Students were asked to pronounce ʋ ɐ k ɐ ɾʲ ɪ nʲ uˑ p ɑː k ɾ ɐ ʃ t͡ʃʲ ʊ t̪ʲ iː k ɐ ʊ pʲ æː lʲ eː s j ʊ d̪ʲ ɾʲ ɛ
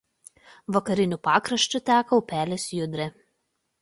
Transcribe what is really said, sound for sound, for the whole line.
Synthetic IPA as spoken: ʋ ɐ k ɐ ɾʲ ɪ nʲ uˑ p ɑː k ɾ ɐ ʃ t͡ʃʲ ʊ t̪ʲ æː k ɐ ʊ pʲ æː lʲ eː s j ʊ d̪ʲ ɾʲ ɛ